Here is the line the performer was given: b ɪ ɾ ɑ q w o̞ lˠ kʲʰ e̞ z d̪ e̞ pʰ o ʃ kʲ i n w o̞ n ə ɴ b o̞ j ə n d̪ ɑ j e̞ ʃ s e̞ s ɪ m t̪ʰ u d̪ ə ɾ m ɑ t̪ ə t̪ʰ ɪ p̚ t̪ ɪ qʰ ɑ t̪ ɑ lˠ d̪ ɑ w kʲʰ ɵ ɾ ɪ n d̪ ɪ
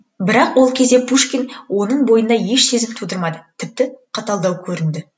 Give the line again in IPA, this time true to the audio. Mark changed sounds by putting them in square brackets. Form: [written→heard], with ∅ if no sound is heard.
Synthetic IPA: b ɪ ɾ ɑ q w o̞ lˠ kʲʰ e̞ z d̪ e̞ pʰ [o→u] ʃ kʲ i n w o̞ n ə ɴ b o̞ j ə n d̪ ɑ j e̞ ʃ s e̞ [s→z] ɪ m t̪ʰ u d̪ ə ɾ m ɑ [t̪→d̪] ə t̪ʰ ɪ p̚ t̪ ɪ qʰ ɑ t̪ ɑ lˠ d̪ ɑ w kʲʰ ɵ ɾ ɪ n d̪ ɪ